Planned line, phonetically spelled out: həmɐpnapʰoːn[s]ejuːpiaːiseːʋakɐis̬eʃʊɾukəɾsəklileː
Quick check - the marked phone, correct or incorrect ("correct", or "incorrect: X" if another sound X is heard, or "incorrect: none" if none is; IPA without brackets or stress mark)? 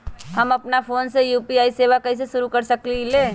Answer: correct